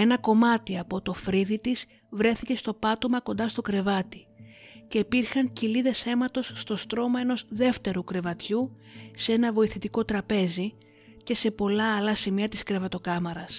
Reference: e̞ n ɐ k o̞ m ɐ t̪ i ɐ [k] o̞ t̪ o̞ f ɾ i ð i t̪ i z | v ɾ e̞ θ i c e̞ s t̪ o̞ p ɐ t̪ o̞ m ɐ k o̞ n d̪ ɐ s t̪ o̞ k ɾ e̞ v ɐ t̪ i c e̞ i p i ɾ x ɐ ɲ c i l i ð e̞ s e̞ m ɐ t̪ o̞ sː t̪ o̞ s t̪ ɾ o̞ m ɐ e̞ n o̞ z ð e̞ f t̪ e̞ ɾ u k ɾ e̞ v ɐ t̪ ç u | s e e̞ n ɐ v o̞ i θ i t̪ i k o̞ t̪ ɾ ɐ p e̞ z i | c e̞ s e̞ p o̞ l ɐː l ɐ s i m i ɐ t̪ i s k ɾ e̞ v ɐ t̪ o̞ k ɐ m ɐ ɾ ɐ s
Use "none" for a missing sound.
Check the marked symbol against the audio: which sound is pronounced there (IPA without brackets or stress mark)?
p